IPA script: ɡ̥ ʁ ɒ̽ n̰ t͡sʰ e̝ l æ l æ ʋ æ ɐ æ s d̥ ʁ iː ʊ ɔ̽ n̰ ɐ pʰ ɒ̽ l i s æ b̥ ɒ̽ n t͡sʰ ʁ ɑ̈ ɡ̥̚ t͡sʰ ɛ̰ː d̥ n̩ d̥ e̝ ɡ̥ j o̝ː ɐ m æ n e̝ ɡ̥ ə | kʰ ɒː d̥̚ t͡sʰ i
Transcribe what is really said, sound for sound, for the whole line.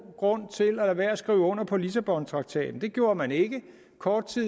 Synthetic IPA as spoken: ɡ̥ ʁ ɔ̽ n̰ t͡sʰ e̝ l æ l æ ʋ æ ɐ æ s ɡ̥ ʁ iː ʊ ɔ̽ n̰ ɐ pʰ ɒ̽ l i s æ b̥ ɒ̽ n t͡sʰ ʁ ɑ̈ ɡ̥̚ t͡sʰ ɛ̰ː d̥ n̩ d̥ e̝ ɡ̥ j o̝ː ɐ m æ n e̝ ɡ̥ ə | kʰ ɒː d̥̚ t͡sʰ i